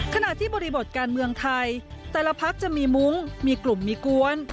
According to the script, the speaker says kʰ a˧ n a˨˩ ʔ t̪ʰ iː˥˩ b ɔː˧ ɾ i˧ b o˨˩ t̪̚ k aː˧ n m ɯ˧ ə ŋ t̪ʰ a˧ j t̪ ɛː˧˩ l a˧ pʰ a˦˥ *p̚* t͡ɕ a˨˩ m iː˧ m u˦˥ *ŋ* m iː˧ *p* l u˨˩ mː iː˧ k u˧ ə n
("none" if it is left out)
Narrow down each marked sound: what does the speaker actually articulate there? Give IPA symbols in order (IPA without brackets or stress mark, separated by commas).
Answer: k̚, ŋ, k